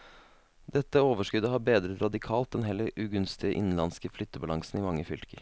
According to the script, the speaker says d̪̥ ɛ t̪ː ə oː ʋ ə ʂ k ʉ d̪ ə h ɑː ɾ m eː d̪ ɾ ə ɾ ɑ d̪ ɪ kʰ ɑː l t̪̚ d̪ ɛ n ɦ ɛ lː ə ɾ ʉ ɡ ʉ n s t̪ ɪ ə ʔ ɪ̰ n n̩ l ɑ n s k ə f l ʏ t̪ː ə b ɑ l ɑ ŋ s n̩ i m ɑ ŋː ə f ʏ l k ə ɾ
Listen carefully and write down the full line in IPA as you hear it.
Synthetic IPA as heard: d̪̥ ɛ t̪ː ə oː ʋ ə ʂ k ʉ d̪ ə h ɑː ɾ b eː d̪ ɾ ə ɾ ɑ d̪ ɪ kʰ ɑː l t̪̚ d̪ ɛ n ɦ ɛ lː ə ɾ ʉ ɡ ʉ n s t̪ ɪ ə ʔ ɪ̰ n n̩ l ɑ n s k ə f l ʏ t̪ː ə b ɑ l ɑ ŋ s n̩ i m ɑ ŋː ə f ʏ l k ə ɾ